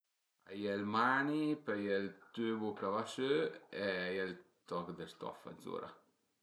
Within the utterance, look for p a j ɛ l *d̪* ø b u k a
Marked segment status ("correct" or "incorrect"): incorrect